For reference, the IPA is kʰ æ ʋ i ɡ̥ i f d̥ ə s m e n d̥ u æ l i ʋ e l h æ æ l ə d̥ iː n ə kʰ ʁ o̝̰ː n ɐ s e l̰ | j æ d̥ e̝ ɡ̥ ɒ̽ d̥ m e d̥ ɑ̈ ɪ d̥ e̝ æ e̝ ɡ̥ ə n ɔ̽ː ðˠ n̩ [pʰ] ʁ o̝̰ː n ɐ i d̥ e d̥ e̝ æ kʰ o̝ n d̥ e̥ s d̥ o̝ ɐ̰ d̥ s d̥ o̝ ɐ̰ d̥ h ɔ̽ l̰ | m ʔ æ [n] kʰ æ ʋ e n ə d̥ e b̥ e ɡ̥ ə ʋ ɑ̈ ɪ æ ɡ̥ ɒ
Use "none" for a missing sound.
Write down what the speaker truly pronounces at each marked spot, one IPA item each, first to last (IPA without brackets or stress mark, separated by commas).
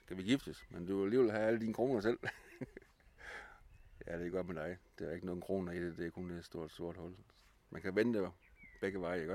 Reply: kʰ, n